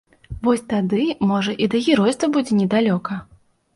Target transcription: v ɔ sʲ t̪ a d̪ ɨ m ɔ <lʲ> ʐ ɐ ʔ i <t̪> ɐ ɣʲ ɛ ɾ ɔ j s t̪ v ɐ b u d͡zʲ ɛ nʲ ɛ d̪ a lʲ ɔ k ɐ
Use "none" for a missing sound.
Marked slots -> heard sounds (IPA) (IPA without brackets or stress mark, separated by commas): none, d̪